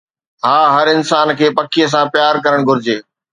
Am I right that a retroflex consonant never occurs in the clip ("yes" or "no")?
no